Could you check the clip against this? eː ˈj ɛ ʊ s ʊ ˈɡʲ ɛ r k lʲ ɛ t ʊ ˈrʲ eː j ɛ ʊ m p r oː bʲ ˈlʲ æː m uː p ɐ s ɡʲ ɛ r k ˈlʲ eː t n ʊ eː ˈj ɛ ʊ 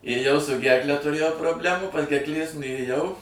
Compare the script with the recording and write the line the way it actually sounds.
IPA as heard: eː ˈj ɛ ʊ s ʊ ˈɡʲ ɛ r k lʲ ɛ t ʊ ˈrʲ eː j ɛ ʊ p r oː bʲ ˈlʲ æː m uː p ɐ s ɡʲ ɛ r k ˈlʲ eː s n ʊ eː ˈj ɛ ʊ